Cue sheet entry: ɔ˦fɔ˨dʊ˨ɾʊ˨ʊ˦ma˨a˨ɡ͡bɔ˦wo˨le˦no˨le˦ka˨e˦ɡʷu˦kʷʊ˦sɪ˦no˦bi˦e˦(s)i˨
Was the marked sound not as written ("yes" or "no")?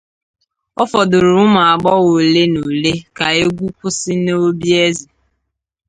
yes